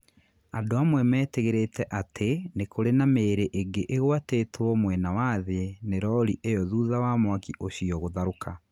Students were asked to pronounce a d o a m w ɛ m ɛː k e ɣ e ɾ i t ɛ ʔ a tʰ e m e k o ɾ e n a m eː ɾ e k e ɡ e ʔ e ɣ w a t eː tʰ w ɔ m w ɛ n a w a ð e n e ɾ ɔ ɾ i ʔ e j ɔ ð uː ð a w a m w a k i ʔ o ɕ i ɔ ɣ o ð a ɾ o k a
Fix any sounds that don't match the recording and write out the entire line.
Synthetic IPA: a d o a m w ɛ m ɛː t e ɣ e ɾ e t ɛ ʔ a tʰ e n e k o ɾ e n a m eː ɾ e ʔ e ɡ e ʔ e ɣ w a t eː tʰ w ɔ m w ɛ n a w a ð e n e ɾ ɔ ɾ i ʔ e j ɔ ð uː ð a w a m w a k i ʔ o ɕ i ɔ ɣ o ð a ɾ o k a

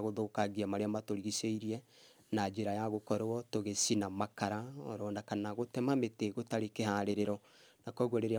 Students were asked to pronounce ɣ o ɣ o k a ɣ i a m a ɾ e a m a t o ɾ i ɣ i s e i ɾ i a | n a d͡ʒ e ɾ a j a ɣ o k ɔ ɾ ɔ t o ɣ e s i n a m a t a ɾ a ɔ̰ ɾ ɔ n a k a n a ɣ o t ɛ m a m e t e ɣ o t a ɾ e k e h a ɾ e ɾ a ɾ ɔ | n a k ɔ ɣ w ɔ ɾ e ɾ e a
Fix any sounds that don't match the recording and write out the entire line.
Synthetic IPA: ɣ o ð o k a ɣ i a m a ɾ e a m a t o ɾ i ɣ i s e i ɾ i ɛ | n a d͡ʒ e ɾ a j a ɣ o k ɔ ɾ ɔ t o ɣ e s i n a m a k a ɾ a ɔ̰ ɾ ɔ n a k a n a ɣ o t ɛ m a m e t e ɣ o t a ɾ e k e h a ɾ e ɾ e ɾ ɔ | n a k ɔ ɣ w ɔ ɾ e ɾ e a

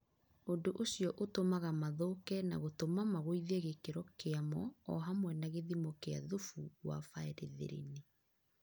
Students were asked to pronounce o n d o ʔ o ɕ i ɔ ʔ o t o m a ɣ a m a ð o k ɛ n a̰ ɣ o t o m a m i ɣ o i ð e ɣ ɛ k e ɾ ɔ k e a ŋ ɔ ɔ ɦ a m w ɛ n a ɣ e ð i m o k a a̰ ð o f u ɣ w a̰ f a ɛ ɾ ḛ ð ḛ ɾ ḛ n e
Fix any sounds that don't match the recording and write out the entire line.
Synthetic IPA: o n d o ʔ o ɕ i ɔ ʔ o t o m a ɣ a m a ð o k ɛ n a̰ ɣ o t o m a m a ɣ o i ð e ɣ e k e ɾ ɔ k e a m ɔ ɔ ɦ a m w ɛ n a ɣ e ð i m o k e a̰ ð o f u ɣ w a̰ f a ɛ ɾ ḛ ð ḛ ɾ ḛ n e

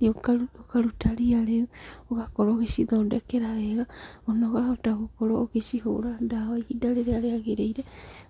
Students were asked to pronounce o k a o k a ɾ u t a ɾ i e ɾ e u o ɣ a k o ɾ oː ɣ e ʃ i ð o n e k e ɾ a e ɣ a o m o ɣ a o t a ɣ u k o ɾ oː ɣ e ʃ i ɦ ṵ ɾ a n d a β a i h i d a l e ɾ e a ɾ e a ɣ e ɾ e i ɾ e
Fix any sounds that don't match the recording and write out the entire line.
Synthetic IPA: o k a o k a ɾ u t a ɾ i a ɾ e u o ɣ a k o ɾ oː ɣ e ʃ i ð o d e k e ɾ a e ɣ a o n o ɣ a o t a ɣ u k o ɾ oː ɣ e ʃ i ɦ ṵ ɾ a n d a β a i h i d a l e ɾ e a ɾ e a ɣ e ɾ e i ɾ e

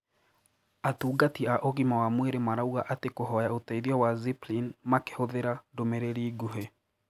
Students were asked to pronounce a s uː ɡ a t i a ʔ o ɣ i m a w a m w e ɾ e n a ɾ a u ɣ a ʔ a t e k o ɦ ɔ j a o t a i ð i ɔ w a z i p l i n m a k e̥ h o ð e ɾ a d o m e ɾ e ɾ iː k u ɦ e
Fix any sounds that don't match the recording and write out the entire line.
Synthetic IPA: a t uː ɡ a t i a ʔ o ɣ i m a w a m w e ɾ e m a ɾ a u ɣ a ʔ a t e k o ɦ ɔ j a o t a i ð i ɔ w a z i p l i n m a k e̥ h o ð e ɾ a d o m e ɾ e ɾ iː ɡ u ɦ e

